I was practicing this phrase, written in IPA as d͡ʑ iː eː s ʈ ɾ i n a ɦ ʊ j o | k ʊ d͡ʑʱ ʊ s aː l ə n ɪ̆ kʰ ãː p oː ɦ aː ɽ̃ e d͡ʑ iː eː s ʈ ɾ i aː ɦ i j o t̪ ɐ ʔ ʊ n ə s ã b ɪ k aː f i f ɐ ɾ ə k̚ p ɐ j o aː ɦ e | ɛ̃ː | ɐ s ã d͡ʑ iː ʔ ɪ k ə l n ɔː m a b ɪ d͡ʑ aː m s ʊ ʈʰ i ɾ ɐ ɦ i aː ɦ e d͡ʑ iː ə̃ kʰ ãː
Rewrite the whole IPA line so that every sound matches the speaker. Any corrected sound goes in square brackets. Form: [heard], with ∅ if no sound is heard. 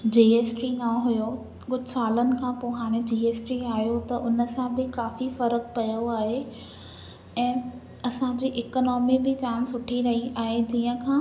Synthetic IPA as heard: d͡ʑ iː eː s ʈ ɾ i n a ɦ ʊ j o | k ʊ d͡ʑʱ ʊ s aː l ə n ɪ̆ kʰ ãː p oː ɦ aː ɽ̃ e d͡ʑ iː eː s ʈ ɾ i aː ɦ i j o t̪ ɐ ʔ ʊ n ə s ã b ɪ k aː f i f ɐ ɾ ə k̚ p ɐ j o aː ɦ e | ɛ̃ː | ɐ s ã d͡ʑ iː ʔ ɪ k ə [∅] n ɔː m [i] b ɪ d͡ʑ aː m s ʊ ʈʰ i ɾ ɐ ɦ i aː ɦ e d͡ʑ iː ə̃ kʰ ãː